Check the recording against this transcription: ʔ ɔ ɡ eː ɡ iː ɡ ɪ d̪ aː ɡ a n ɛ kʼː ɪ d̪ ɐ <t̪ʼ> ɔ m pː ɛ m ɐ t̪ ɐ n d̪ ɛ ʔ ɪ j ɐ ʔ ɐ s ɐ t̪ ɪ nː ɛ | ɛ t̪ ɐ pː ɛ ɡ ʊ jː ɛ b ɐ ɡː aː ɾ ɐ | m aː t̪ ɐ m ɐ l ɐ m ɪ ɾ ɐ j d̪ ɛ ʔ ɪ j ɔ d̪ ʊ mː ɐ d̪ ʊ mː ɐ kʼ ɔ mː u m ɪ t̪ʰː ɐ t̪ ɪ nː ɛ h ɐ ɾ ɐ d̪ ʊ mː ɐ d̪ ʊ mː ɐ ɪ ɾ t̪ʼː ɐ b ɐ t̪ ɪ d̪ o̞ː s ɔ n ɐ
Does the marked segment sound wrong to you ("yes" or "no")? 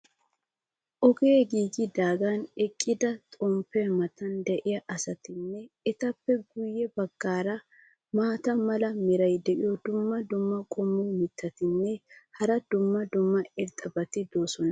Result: no